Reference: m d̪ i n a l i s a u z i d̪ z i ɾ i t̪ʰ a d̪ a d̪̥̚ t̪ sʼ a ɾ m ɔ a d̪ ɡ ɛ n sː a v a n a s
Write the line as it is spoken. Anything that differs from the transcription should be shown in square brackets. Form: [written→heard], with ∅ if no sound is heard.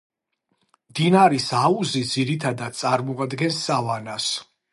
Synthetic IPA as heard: m d̪ i n a [l→ɾ] i s a u z i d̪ z i ɾ i t̪ʰ a d̪ a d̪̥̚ t̪ sʼ a ɾ m ɔ a d̪ ɡ ɛ n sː a v a n a s